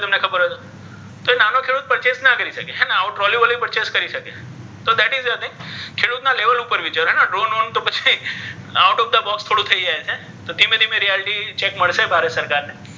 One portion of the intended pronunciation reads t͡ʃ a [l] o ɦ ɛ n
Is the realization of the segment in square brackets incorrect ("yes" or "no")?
yes